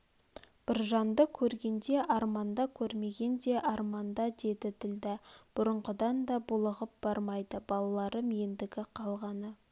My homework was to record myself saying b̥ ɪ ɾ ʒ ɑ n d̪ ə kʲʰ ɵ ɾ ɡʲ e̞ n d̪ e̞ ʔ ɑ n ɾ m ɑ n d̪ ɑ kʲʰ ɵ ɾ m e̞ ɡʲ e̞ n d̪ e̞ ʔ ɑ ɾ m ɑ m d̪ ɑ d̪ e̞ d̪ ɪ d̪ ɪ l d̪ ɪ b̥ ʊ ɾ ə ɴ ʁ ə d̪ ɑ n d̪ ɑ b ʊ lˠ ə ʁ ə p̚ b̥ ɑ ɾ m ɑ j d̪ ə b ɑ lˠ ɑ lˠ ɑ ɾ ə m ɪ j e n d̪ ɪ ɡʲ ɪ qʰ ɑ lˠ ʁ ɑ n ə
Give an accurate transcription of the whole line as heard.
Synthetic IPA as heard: b̥ ɪ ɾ ʒ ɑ n d̪ ə kʲʰ ɵ ɾ ɡʲ e̞ n d̪ e̞ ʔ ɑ ɾ m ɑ n d̪ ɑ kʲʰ ɵ ɾ m e̞ ɡʲ e̞ n d̪ e̞ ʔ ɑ ɾ m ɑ n d̪ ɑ d̪ e̞ d̪ ɪ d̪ ɪ l d̪ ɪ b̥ ʊ ɾ ə ɴ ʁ ə d̪ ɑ n d̪ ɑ b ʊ lˠ ə ʁ ə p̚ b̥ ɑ ɾ m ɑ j d̪ ə b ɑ lˠ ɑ lˠ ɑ ɾ ə m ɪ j e n d̪ ɪ ɡʲ ɪ qʰ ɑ lˠ ʁ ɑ n ə